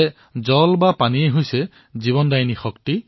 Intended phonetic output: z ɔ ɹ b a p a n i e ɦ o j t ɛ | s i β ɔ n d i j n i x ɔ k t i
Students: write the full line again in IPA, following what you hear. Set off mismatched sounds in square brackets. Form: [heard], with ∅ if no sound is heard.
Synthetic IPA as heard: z ɔ [l] b a p a n i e ɦ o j [s] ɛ | [z] i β ɔ n d [a] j n i x ɔ k t i